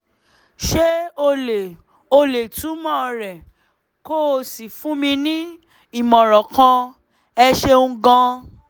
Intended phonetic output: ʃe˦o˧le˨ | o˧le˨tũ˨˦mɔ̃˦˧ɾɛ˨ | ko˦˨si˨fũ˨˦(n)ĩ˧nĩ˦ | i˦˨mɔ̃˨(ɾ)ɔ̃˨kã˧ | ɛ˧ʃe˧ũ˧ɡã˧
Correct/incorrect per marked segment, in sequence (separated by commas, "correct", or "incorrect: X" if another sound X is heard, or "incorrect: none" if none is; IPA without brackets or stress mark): incorrect: m, correct